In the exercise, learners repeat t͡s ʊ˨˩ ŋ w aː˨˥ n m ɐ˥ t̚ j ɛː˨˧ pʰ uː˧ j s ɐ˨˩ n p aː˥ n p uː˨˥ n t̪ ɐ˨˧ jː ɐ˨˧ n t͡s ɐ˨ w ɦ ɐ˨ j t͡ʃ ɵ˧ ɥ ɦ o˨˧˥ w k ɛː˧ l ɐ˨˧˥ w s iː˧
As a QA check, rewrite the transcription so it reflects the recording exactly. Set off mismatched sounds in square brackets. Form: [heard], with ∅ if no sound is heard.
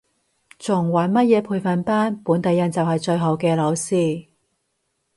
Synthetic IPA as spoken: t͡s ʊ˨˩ ŋ w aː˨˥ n m ɐ˥ t̚ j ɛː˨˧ pʰ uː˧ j [f] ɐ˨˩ n p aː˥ n p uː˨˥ n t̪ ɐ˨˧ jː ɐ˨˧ n t͡s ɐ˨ w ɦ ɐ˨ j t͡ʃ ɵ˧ ɥ ɦ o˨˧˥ w k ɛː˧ l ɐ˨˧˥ w s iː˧